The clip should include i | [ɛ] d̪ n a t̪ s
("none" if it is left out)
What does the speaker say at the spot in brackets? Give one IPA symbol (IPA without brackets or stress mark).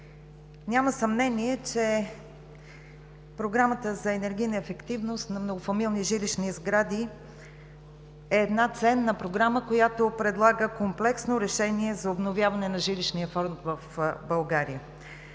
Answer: ɛː